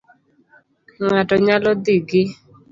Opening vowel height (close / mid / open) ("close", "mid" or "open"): open